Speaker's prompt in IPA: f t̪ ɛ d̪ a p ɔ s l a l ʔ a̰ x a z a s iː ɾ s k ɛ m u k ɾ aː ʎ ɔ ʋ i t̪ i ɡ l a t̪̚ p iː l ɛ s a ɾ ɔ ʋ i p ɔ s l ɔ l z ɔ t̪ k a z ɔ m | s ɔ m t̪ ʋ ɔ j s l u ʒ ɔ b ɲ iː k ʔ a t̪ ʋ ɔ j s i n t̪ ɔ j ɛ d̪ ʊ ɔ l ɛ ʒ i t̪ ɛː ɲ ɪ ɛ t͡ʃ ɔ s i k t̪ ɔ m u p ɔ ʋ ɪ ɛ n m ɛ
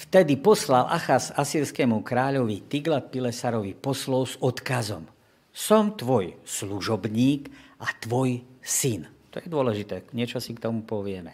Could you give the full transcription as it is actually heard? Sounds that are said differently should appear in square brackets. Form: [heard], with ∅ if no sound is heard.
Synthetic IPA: f t̪ ɛ d̪ [i] p ɔ s l a l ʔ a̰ x a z a s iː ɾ s k ɛ m u k ɾ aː ʎ ɔ ʋ i t̪ i ɡ l a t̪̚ p [i] l ɛ s a ɾ ɔ ʋ i p ɔ s l ɔ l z ɔ t̪ k a z ɔ m | s ɔ m t̪ ʋ ɔ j s l u ʒ ɔ b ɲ iː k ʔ a t̪ ʋ ɔ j s i n t̪ ɔ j ɛ d̪ ʊ ɔ l ɛ ʒ i t̪ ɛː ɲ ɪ ɛ t͡ʃ ɔ s i k t̪ ɔ m u p ɔ ʋ ɪ ɛ [∅] m ɛ